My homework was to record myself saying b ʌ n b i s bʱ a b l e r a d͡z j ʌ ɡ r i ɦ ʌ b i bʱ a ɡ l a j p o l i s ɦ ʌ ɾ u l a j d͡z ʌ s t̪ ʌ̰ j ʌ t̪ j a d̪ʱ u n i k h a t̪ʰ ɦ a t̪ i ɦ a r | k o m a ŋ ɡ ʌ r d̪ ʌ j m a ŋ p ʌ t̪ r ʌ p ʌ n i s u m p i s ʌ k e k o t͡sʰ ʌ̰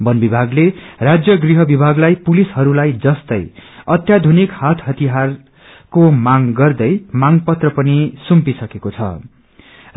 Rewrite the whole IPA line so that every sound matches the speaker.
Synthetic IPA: b ʌ n b i bʱ a ɡ l e r a d͡z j ʌ ɡ r i ɦ ʌ b i bʱ a ɡ l a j p u l i s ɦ ʌ ɾ u l a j d͡z ʌ s t̪ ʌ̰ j ʌ t̪ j a d̪ʱ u n i k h a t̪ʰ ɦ ʌ t̪ i ɦ a r | k o m a ŋ ɡ ʌ r d̪ ʌ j m a ŋ p ʌ t̪ r ʌ p ʌ n i s u m p i s ʌ k e k o t͡sʰ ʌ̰